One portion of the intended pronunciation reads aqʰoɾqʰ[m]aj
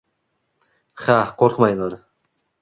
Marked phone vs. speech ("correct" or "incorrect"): correct